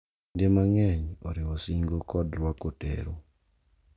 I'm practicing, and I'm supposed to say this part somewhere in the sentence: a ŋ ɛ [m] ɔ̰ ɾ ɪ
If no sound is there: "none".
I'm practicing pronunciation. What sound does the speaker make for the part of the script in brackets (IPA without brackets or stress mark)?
ɲ